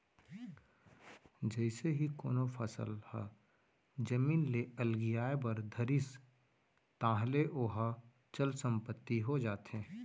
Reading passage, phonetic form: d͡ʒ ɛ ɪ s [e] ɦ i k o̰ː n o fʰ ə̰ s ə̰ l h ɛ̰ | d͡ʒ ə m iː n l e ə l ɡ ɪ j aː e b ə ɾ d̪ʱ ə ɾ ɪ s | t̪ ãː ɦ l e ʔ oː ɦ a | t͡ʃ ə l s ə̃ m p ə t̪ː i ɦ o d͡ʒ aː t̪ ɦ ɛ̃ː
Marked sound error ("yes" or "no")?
no